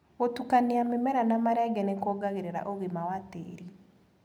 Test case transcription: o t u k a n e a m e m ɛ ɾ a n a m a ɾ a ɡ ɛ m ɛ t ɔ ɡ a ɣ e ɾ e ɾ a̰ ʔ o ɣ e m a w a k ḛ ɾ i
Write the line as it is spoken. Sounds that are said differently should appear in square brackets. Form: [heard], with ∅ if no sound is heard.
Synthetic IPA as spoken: o t u k a n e a m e m ɛ ɾ a n a m a ɾ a ɡ ɛ [n] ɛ [k] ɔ ɡ a ɣ e ɾ e ɾ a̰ ʔ o ɣ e m a w a [t] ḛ ɾ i